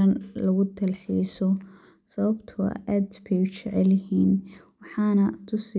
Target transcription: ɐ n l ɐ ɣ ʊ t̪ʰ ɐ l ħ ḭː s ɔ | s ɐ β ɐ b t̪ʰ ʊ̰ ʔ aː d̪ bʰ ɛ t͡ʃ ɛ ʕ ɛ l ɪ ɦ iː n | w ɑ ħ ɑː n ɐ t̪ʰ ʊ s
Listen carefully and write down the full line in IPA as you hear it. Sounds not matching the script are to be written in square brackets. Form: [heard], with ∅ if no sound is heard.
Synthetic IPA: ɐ n l ɐ ɣ ʊ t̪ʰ ɐ l ħ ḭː s ɔ | s ɐ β ɐ b t̪ʰ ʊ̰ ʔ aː d̪ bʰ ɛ t͡ʃ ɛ ʕ ɛ l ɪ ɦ iː n | w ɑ ħ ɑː n ɐ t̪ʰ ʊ s